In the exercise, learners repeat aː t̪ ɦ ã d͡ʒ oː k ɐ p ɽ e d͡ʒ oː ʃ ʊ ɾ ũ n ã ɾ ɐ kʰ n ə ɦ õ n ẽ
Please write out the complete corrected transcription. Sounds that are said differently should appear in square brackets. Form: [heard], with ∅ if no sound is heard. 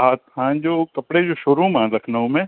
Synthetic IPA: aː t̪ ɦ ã d͡ʒ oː k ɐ p ɽ e d͡ʒ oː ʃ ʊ ɾ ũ [m] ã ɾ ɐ kʰ n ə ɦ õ [m] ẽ